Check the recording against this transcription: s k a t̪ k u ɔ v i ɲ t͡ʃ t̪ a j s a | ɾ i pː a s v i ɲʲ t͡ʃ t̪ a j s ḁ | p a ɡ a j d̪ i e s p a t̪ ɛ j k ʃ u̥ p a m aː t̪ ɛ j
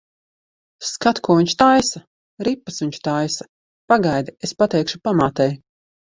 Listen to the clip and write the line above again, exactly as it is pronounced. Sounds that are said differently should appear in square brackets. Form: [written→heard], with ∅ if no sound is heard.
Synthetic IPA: s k a t̪ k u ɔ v i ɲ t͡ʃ t̪ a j s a | ɾ i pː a s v i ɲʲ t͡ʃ t̪ a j s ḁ | p a ɡ a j d̪ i e s p a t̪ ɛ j k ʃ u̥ p a m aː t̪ ɛ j